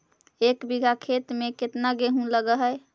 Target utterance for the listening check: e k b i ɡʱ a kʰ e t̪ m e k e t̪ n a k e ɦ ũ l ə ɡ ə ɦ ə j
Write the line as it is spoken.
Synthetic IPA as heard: e k b i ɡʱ a kʰ e t̪ m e k e t̪ n a ɡ e ɦ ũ l ə ɡ ə ɦ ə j